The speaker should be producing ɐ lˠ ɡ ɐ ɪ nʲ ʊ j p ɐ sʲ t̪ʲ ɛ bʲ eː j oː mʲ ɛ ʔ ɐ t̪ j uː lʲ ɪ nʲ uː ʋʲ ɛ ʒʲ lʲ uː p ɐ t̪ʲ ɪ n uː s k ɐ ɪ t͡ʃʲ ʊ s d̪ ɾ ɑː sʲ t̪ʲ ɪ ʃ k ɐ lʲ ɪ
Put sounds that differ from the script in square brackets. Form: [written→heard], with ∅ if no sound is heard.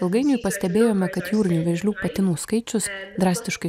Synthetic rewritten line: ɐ lˠ ɡ ɐ ɪ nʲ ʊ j p ɐ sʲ t̪ʲ ɛ bʲ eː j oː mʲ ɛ [ʔ→k] ɐ t̪ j uː [lʲ→ɾʲ] ɪ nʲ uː ʋʲ ɛ ʒʲ lʲ uː p ɐ t̪ʲ ɪ n uː s k ɐ ɪ t͡ʃʲ ʊ s d̪ ɾ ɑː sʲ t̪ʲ ɪ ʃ k ɐ [lʲ→∅] ɪ